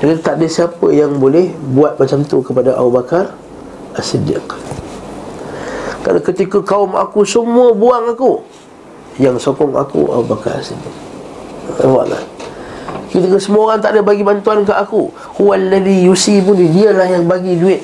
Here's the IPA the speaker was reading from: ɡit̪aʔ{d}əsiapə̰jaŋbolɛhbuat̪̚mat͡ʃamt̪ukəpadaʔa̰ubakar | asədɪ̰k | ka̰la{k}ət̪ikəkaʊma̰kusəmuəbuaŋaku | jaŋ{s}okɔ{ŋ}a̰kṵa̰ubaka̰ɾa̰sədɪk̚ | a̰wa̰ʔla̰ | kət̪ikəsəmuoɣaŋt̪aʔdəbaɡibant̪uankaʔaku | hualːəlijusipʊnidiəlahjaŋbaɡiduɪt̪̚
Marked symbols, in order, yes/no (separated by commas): yes, yes, yes, yes